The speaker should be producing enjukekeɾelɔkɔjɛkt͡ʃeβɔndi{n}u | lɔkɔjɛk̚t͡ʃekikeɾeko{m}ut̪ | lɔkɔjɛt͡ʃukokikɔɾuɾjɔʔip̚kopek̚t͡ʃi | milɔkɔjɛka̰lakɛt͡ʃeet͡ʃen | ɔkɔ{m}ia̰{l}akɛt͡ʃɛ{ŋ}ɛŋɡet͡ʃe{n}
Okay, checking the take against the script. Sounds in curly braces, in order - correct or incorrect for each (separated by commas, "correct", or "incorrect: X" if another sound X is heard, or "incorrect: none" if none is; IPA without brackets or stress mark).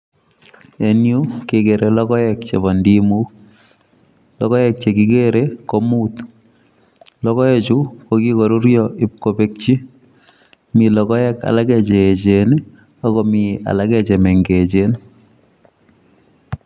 incorrect: m, correct, correct, correct, incorrect: m, correct